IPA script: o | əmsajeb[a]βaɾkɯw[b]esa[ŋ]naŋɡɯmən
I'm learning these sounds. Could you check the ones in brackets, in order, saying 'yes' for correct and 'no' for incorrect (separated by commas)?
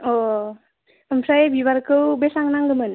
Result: no, yes, yes